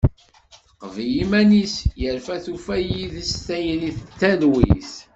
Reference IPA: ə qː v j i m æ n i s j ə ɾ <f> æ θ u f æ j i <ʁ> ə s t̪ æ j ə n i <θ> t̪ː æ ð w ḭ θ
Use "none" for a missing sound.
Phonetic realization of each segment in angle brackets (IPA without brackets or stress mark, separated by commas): f, ð, θ